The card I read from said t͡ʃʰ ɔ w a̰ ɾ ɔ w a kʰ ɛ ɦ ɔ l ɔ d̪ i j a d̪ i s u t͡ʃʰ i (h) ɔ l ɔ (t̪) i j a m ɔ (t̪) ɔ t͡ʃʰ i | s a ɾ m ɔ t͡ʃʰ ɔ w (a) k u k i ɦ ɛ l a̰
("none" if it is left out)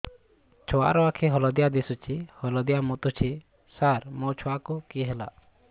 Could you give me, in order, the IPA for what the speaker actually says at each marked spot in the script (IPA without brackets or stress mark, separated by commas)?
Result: h, d̪, t̪, a